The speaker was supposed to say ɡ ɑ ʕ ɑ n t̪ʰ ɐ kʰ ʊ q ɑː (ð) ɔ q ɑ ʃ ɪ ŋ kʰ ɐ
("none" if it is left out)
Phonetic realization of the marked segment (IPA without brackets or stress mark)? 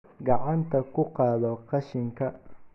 ð